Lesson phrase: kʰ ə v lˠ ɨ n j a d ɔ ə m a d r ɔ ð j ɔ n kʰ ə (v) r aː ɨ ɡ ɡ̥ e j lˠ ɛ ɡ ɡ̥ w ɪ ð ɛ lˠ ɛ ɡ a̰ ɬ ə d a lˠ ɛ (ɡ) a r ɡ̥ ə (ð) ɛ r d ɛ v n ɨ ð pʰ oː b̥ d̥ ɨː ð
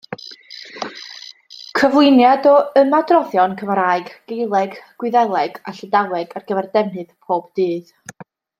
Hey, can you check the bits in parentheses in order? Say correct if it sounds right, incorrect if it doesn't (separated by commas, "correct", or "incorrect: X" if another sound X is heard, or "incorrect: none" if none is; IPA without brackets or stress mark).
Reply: correct, correct, incorrect: v